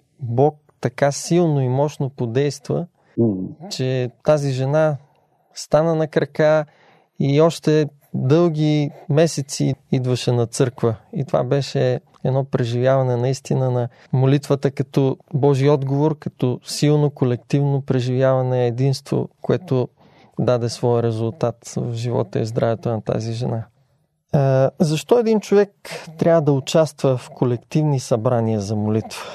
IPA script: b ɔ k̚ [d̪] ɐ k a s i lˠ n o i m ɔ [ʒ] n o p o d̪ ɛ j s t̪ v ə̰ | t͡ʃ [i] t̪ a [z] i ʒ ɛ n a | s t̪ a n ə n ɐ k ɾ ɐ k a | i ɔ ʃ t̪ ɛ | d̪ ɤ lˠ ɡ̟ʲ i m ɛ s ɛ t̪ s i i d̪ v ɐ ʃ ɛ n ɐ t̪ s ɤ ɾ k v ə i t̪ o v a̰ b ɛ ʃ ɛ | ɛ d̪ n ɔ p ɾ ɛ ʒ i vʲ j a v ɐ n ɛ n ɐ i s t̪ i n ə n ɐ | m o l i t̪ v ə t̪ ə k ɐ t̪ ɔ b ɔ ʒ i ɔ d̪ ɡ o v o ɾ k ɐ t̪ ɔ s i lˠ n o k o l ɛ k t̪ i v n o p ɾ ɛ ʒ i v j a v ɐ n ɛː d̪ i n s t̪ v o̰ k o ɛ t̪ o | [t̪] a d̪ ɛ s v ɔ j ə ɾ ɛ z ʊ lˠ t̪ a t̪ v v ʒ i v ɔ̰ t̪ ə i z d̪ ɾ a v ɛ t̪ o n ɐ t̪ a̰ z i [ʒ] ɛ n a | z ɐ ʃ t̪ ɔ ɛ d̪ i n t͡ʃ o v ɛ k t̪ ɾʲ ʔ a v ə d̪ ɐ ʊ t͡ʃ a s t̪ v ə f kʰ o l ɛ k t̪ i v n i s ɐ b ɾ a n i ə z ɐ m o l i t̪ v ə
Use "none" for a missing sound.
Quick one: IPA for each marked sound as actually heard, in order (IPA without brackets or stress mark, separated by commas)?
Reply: t̪, ʃ, ɛ, z, d̪, ʒ